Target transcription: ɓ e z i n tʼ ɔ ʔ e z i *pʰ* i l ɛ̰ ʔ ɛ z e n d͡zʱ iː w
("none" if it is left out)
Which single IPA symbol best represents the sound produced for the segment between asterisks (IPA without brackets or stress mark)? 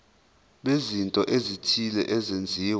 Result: tʰ